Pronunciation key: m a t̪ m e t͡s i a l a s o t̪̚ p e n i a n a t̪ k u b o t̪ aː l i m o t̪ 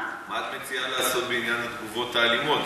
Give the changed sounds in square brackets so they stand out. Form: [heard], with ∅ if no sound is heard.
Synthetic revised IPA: m a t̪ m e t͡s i a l a s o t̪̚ [b] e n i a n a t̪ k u [v] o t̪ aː l i m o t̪